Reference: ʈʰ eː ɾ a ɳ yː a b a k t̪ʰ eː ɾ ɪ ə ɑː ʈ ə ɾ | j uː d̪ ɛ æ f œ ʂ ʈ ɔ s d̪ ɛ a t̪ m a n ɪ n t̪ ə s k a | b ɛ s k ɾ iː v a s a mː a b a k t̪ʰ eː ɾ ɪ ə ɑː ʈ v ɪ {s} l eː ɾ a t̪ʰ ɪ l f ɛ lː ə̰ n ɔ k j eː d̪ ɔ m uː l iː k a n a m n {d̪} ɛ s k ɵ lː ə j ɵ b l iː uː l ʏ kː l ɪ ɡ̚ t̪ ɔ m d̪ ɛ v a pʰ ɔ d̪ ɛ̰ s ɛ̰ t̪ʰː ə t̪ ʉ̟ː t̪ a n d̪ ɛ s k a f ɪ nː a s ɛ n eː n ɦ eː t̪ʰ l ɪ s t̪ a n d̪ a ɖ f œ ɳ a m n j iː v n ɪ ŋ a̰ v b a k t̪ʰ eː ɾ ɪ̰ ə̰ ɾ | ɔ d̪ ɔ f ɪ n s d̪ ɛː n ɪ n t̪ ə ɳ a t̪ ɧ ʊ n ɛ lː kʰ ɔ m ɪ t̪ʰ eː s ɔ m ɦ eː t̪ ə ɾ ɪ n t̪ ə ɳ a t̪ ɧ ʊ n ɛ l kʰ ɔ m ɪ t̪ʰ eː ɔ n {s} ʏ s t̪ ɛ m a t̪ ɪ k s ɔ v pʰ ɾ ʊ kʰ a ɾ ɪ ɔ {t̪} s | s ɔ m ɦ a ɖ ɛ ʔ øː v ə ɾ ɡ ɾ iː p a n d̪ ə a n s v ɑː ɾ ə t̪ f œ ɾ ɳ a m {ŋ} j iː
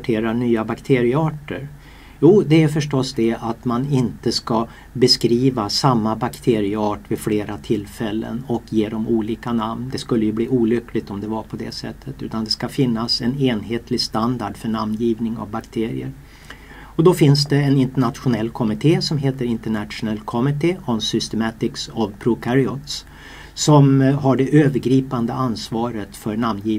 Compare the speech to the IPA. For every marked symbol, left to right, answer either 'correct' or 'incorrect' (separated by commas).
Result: incorrect, correct, correct, correct, incorrect